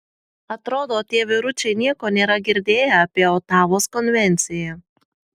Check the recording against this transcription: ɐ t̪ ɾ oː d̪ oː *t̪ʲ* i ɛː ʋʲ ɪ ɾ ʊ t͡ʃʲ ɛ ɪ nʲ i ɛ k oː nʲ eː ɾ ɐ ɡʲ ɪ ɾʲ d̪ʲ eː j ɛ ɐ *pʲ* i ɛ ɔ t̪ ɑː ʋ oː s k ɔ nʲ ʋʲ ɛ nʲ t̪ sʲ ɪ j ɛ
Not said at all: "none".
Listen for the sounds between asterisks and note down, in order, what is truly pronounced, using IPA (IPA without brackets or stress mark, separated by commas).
t̪ʲ, pʲ